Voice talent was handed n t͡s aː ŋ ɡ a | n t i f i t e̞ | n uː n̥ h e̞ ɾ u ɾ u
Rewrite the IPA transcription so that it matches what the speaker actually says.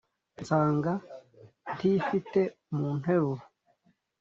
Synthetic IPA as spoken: n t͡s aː ŋ ɡ a | n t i f i t e̞ | m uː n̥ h e̞ ɾ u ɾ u

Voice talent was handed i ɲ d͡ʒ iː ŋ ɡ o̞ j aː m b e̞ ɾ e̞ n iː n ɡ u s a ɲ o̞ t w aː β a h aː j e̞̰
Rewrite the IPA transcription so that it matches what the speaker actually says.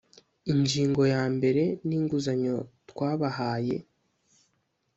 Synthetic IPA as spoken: i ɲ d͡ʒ iː ŋ ɡ o̞ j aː m b e̞ ɾ e̞ n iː ŋ ɡ u z a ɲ o̞ t w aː β a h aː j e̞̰

